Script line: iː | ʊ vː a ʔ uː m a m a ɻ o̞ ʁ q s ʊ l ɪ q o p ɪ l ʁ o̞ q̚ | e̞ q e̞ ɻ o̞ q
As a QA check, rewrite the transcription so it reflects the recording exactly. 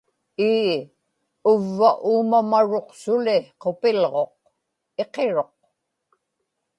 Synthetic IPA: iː | ʊ vː a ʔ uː m a m a ɻ o̞ q s ʊ l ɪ q o p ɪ l ʁ o̞ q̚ | e̞ q e̞ ɻ o̞ q